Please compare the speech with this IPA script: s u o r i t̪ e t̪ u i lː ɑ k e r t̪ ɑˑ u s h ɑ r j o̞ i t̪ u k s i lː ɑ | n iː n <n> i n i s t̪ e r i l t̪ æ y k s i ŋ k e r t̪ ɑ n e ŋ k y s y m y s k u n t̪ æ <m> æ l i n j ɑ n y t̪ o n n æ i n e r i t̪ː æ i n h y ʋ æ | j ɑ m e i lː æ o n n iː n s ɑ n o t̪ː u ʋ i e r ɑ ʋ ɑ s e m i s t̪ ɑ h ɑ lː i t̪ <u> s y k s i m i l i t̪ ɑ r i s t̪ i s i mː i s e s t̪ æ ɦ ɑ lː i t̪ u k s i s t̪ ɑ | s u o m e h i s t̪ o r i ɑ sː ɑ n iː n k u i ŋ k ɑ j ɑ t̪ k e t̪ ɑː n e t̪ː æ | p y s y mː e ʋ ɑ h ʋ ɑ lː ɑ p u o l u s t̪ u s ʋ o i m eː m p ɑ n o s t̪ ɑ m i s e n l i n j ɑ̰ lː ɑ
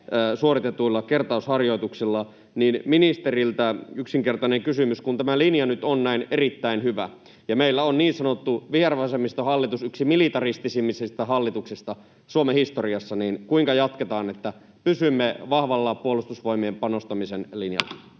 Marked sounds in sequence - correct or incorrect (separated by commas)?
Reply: incorrect, correct, correct